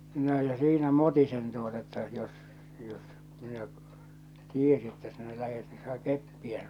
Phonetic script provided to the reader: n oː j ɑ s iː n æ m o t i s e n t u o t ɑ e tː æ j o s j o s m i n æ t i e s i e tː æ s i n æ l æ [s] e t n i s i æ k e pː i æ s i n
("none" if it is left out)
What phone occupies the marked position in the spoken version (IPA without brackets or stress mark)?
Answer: h